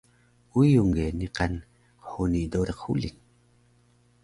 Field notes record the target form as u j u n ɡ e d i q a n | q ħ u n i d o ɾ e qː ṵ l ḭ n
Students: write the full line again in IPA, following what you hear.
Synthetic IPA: u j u ŋ ɡ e n i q a n | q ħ u n i d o ɾ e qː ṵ l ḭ n